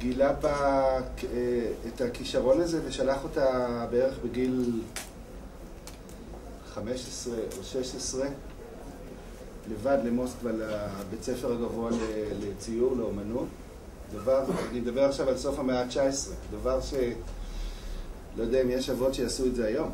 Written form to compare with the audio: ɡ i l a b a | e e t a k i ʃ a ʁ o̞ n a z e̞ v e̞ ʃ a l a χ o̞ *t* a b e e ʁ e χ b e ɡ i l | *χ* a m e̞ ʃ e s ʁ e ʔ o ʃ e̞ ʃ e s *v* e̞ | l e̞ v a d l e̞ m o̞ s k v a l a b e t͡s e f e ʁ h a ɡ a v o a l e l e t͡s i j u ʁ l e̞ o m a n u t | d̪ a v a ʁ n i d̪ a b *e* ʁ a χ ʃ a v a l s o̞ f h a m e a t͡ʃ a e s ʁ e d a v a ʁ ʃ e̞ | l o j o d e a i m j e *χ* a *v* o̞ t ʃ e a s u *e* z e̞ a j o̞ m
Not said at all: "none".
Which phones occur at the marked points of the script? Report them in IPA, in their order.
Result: t, χ, ʁ, e, ʃ, v, e

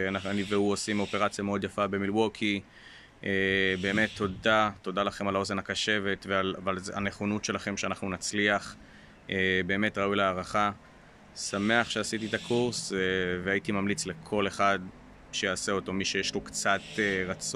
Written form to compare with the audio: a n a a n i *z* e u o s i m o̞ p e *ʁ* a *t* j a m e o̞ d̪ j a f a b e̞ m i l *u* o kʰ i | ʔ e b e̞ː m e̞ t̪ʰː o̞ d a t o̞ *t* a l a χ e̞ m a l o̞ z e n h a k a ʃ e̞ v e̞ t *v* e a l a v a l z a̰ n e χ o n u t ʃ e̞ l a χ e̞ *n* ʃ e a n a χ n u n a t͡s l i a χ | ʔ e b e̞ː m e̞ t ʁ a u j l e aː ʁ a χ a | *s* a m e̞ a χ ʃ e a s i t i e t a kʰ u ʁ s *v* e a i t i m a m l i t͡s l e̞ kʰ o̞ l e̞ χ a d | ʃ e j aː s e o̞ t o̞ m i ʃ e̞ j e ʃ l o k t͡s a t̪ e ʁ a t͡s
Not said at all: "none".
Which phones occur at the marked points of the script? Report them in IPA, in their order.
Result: v, ʁ, t͡s, w, d, v, m, s, v

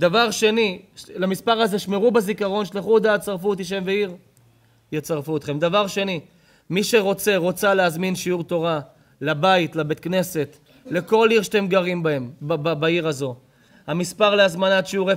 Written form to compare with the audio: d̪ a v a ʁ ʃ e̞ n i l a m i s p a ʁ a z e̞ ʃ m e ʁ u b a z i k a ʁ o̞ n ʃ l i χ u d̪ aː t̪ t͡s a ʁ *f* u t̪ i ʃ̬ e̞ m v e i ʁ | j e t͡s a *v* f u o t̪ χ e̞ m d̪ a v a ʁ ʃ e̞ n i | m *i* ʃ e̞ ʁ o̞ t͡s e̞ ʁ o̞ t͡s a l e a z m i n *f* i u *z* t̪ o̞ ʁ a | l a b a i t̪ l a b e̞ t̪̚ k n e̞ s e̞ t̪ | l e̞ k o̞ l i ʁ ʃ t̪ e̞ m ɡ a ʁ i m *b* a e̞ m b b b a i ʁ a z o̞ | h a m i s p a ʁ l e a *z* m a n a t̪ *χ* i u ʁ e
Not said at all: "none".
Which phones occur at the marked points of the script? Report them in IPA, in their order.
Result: f, ʁ, i, ʃ, ʁ, b, z, ʃ

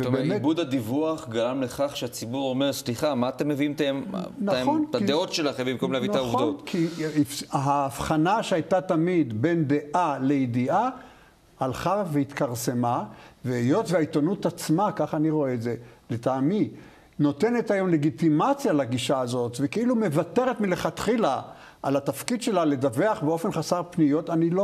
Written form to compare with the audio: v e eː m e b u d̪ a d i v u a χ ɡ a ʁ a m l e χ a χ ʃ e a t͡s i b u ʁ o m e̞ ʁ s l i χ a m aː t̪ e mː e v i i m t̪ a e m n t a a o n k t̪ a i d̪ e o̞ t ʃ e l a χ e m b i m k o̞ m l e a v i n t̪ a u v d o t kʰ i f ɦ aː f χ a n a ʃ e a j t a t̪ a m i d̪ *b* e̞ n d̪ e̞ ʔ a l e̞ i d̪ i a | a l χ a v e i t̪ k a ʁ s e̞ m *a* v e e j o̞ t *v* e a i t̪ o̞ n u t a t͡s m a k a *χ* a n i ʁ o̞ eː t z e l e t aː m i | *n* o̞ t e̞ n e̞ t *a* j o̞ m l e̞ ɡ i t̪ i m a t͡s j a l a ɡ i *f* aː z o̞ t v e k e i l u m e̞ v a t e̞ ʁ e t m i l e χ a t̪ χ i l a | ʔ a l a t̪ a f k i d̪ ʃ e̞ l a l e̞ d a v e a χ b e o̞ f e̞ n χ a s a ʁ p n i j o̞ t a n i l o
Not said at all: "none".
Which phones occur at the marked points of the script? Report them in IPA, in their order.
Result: b, a, v, χ, n, a, ʃ

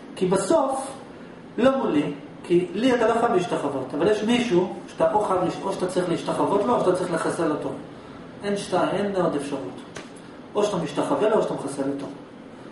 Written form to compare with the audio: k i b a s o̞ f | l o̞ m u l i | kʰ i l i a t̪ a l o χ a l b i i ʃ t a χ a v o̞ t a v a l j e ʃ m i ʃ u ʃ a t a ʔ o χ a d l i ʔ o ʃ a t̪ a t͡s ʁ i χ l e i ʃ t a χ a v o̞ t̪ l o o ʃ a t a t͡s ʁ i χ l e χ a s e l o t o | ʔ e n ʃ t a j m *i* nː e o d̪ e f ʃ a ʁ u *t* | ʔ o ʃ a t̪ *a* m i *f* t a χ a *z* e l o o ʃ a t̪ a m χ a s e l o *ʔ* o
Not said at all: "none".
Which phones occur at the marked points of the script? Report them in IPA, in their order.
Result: e, t, a, ʃ, v, t

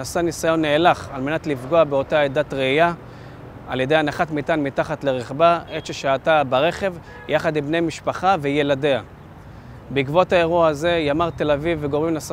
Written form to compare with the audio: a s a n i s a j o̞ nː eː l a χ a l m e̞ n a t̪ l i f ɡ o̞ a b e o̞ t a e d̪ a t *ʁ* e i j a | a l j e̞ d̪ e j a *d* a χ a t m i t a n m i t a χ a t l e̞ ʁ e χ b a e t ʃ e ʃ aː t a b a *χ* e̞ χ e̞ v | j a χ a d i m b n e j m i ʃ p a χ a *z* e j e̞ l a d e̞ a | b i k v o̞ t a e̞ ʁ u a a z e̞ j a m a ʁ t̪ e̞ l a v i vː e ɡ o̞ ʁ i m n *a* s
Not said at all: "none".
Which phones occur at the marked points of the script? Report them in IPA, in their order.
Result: ʁ, n, ʁ, v, a

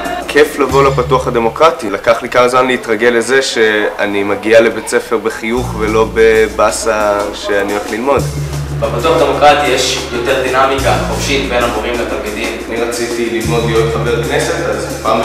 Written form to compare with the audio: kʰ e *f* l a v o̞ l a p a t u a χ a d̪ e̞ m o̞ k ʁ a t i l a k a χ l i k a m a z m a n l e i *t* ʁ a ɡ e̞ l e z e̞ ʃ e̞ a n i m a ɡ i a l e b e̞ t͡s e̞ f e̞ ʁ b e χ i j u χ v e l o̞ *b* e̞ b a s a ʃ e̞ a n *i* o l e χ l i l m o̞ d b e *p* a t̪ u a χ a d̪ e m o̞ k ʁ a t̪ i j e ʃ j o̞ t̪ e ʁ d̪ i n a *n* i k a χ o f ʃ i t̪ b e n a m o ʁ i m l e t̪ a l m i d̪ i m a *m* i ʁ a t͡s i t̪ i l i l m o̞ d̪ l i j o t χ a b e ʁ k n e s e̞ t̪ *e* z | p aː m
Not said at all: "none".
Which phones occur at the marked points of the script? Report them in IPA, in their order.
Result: f, t, b, i, p, m, n, a

